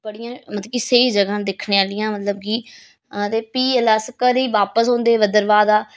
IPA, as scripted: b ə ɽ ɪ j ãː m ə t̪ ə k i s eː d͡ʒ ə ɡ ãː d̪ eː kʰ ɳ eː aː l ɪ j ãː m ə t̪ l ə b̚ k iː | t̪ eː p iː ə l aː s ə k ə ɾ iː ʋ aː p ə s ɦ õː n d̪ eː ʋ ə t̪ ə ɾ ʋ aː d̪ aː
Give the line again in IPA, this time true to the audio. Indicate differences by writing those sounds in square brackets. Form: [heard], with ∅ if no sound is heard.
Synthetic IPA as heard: b ə ɽ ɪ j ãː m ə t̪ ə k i s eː d͡ʒ ə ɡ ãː d̪ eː kʰ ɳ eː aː l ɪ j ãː m ə t̪ l ə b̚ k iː | t̪ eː p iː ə l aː s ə k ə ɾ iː ʋ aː p ə s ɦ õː n d̪ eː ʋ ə [d̪] ə ɾ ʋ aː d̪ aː